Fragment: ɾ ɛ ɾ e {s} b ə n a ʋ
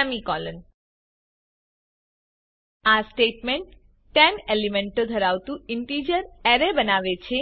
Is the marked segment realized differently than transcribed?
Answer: yes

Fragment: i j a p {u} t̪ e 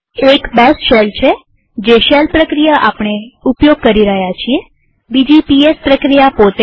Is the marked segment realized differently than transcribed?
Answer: yes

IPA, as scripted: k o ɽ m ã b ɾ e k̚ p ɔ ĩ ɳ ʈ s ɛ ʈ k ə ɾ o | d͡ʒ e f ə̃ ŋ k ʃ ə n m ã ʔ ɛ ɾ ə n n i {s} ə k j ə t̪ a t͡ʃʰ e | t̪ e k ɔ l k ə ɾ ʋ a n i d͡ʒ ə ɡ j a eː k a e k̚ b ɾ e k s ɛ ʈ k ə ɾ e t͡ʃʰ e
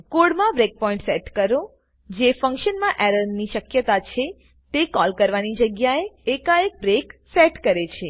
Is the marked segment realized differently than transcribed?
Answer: yes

